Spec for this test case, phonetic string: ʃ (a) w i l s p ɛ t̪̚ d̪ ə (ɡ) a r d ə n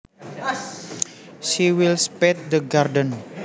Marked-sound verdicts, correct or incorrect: incorrect, correct

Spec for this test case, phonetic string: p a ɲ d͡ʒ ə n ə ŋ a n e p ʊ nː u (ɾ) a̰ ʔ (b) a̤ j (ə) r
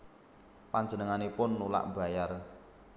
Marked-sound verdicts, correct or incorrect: incorrect, correct, incorrect

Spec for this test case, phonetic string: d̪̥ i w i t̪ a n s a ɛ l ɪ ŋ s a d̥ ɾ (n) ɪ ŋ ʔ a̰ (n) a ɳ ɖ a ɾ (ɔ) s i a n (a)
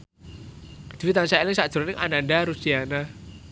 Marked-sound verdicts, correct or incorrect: correct, correct, incorrect, correct

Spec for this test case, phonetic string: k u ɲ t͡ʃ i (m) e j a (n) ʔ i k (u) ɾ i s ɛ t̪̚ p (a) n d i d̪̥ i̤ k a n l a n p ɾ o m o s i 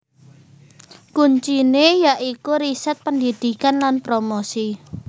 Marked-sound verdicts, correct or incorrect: incorrect, incorrect, correct, incorrect

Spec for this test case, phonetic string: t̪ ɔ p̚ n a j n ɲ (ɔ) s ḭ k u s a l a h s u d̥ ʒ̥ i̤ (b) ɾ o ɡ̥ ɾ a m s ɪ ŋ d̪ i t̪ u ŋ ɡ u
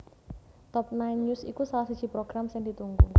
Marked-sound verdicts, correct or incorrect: incorrect, incorrect

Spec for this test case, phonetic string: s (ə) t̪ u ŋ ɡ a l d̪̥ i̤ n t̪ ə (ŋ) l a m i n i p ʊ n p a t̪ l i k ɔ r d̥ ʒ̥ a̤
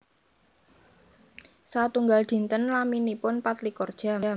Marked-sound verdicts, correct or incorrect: incorrect, incorrect

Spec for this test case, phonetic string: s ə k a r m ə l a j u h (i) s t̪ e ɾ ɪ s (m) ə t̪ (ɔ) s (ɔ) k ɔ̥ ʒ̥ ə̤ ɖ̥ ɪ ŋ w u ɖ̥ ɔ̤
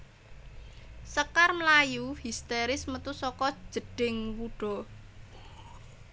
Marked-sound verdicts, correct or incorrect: correct, correct, incorrect, correct

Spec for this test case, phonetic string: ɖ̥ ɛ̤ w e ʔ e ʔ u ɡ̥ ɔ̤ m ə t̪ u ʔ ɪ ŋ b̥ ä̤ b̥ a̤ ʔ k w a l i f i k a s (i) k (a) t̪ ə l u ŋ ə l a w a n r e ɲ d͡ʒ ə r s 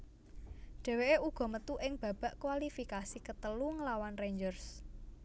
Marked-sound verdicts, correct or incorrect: correct, incorrect

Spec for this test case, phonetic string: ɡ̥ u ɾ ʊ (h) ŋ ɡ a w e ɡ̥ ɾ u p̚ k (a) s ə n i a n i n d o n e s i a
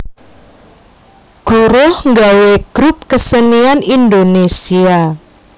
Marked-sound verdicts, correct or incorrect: correct, incorrect

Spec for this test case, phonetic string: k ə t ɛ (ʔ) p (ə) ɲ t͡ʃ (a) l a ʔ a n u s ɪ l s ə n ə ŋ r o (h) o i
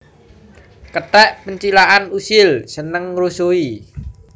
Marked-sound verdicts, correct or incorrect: correct, correct, incorrect, incorrect

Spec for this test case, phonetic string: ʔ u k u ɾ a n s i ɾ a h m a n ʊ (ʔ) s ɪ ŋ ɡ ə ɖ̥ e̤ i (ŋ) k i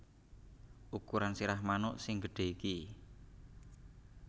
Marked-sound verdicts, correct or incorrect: correct, incorrect

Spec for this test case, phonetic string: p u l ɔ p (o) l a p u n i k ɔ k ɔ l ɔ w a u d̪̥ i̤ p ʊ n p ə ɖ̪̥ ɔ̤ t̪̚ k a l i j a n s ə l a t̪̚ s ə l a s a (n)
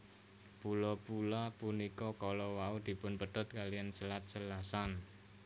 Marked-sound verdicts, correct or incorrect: incorrect, correct

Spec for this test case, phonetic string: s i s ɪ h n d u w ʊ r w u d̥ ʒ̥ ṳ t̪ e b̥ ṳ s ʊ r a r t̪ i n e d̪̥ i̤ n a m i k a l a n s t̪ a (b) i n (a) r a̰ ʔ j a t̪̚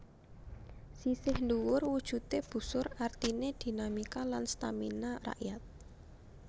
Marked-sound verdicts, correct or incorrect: incorrect, correct

